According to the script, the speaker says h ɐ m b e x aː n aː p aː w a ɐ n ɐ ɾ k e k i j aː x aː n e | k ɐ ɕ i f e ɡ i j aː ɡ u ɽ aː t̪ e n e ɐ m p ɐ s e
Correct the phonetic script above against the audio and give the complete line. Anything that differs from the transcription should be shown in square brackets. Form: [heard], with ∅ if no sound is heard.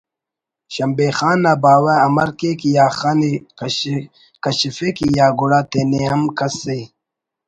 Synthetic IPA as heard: [ɕ] ɐ m b e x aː n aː [b] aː w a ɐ [m] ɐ ɾ k e k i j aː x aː n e | k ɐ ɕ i f e [k] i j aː ɡ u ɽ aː t̪ e n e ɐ m [k] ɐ s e